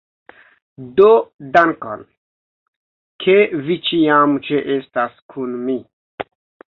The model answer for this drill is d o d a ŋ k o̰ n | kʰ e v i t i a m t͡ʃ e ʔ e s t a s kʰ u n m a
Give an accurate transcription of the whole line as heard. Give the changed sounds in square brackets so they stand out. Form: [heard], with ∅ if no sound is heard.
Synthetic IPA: d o d a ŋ k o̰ n | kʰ e v i [t͡ʃ] i a m t͡ʃ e ʔ e s t a s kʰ u n m [i]

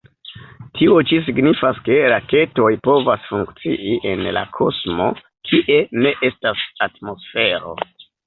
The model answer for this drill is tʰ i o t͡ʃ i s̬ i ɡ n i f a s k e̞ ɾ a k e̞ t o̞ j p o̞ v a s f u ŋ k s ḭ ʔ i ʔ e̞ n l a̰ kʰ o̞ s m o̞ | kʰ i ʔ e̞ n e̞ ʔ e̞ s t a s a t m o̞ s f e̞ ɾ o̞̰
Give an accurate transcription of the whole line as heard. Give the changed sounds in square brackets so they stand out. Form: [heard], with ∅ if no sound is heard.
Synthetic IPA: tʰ i o t͡ʃ i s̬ i ɡ n i f a s k e̞ ɾ a k e̞ t o̞ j p o̞ v a s f u ŋ k [t͡s] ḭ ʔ i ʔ e̞ n l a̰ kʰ o̞ s m o̞ | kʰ i ʔ e̞ n e̞ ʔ e̞ s t a s a t m o̞ s f e̞ ɾ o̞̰

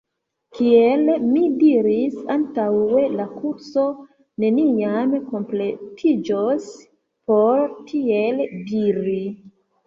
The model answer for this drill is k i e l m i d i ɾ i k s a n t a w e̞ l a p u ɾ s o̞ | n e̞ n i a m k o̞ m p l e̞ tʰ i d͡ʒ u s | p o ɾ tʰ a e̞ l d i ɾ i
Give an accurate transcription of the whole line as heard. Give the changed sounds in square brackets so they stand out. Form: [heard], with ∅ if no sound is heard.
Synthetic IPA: k i e l m i d i ɾ i [∅] s a n t a w e̞ l a [k] u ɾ s o̞ | n e̞ n i a m k o̞ m p l e̞ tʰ i d͡ʒ [o] s | p o ɾ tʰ [i] e̞ l d i ɾ i

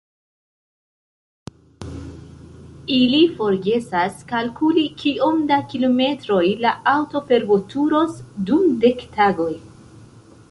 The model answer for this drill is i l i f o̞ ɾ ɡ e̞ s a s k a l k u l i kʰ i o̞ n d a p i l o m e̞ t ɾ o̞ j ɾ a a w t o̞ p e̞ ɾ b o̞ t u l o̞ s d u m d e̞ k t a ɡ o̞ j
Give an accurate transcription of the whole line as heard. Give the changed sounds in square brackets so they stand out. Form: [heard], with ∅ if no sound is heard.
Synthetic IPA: i l i f o̞ ɾ ɡ e̞ s a s k a l k u l i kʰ i o̞ [m] d a [k] i l o m e̞ t ɾ o̞ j [l] a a w t o̞ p e̞ ɾ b o̞ t u [ɾ] o̞ s d u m d e̞ k t a ɡ o̞ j

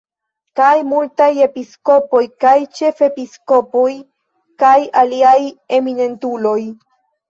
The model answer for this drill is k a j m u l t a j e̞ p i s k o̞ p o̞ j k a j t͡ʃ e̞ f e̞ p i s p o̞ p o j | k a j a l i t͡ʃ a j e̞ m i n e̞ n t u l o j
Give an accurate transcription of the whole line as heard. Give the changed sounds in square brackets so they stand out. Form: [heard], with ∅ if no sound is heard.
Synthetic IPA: k a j m u l t a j e̞ p i s k o̞ p o̞ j k a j t͡ʃ e̞ f e̞ p i s [k] o̞ p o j | k a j a l i [∅] a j e̞ m i n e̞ n t u l o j

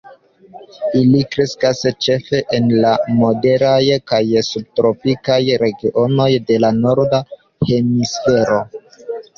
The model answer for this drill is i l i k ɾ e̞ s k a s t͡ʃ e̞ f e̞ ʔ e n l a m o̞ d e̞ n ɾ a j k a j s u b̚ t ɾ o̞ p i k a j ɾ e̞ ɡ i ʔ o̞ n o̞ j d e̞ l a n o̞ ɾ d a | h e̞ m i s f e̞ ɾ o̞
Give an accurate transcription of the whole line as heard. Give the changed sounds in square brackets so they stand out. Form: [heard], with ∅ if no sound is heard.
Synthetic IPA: i l i k ɾ e̞ s k a s t͡ʃ e̞ f e̞ ʔ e n l a m o̞ d e̞ [∅] ɾ a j k a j s u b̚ t ɾ o̞ p i k a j ɾ e̞ ɡ i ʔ o̞ n o̞ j d e̞ l a n o̞ ɾ d a | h e̞ m i s f e̞ ɾ o̞

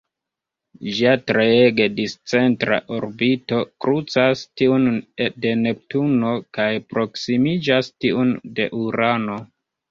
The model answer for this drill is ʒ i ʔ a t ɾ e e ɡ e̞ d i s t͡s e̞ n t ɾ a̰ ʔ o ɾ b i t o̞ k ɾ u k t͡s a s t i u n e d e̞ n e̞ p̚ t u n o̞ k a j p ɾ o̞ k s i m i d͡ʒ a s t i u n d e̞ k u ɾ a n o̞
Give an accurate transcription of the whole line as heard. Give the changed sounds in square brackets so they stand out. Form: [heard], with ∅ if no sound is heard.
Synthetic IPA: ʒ i [∅] a t ɾ e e ɡ e̞ d i s t͡s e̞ n t ɾ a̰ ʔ o ɾ b i t o̞ k ɾ u [∅] t͡s a s t i u n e d e̞ n e̞ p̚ t u n o̞ k a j p ɾ o̞ k s i m i d͡ʒ a s t i u n d e̞ [ʔ] u ɾ a n o̞

